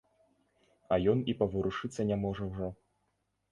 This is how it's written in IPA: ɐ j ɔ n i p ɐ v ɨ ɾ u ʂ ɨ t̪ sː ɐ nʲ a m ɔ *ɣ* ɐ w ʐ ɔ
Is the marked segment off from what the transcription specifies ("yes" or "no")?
yes